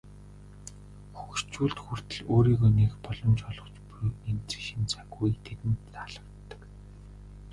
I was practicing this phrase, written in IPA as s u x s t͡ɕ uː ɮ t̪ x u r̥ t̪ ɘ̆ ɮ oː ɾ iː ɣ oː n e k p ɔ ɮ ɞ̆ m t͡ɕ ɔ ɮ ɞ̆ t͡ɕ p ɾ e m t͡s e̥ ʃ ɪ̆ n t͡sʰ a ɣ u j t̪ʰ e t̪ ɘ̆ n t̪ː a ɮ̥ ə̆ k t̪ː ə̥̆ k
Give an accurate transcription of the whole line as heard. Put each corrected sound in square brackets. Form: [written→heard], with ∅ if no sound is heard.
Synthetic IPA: [s→x] u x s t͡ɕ uː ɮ t̪ x u r̥ t̪ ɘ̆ ɮ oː ɾ iː ɣ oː n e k p ɔ ɮ ɞ̆ m t͡ɕ ɔ ɮ ɞ̆ t͡ɕ p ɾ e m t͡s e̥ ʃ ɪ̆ n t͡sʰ a ɣ u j t̪ʰ e t̪ ɘ̆ n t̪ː a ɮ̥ ə̆ k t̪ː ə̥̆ k